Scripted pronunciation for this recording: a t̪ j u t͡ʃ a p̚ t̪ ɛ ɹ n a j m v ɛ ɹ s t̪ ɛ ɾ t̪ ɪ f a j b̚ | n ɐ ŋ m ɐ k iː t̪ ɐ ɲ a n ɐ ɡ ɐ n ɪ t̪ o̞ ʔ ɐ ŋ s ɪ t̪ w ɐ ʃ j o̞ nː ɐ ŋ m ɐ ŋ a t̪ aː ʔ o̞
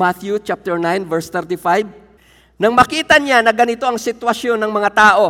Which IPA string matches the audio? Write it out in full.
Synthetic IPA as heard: a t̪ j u t͡ʃ a p̚ t̪ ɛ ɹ n a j n v ɛ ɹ s t̪ ɛ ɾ t̪ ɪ f a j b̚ | n ɐ ŋ m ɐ k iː t̪ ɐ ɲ a n ɐ ɡ ɐ n ɪ t̪ o̞ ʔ ɐ ŋ s ɪ t̪ w ɐ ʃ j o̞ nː ɐ ŋ m ɐ ŋ a t̪ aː ʔ o̞